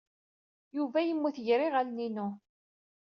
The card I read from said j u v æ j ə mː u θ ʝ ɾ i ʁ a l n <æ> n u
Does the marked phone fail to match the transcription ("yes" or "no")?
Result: yes